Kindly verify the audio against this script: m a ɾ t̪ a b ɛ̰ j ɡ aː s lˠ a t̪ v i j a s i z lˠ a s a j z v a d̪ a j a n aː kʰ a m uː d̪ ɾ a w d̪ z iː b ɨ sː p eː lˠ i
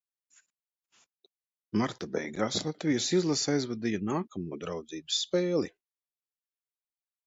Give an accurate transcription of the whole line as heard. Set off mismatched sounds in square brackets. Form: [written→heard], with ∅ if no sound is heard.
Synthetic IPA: m a ɾ t̪ a b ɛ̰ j ɡ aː s lˠ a t̪ v i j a s i z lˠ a s a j z v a d̪ [a→i] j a n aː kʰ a m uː d̪ ɾ a w d̪ z iː b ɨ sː p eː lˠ i